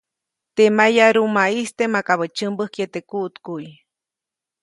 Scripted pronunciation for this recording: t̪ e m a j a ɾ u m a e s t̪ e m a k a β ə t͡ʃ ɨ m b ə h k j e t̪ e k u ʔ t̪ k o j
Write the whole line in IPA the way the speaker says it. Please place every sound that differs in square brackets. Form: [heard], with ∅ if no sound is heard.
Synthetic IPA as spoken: t̪ e m a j a ɾ u m a [i] s t̪ e m a k a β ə t͡ʃ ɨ m b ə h k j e t̪ e k u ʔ t̪ k [u] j